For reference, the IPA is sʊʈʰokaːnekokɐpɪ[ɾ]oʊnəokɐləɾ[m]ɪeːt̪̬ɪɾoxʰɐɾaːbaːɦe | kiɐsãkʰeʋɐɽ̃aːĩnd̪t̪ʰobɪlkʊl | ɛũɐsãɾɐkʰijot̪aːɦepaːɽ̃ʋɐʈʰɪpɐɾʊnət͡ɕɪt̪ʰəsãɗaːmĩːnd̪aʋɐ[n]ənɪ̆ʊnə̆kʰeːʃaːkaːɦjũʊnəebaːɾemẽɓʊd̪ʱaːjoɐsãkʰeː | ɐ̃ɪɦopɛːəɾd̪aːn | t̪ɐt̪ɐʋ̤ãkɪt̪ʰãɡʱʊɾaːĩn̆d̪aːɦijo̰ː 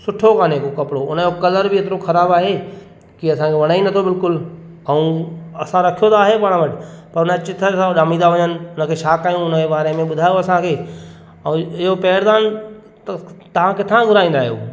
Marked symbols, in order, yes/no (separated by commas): no, no, no